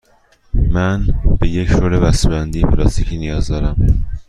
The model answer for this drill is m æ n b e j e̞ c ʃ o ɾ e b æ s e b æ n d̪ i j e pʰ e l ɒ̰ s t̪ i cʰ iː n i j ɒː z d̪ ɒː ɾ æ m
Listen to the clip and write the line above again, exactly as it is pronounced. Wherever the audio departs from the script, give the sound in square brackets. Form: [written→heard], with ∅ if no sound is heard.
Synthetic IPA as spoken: m æ n b e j e̞ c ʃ o ɾ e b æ s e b æ n d̪ i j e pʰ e l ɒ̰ s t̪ i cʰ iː n i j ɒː z d̪ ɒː ɾ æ m